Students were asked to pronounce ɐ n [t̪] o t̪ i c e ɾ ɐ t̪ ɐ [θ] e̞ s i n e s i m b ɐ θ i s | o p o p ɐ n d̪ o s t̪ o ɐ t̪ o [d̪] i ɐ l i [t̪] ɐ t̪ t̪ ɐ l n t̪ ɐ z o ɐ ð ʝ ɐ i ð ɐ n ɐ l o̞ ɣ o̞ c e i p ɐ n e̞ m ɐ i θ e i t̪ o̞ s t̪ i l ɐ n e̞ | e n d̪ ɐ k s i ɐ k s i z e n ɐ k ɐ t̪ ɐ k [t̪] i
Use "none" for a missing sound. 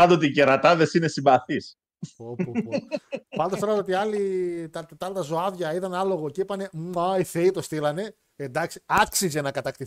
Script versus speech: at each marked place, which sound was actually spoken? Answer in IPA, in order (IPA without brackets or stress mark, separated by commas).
d̪, ð, t̪, t̪, t̪